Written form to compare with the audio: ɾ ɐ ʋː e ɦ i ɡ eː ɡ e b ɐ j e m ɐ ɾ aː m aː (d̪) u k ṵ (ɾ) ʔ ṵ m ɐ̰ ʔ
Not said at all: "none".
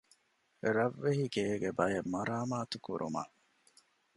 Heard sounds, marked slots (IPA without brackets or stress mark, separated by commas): t̪, ɾ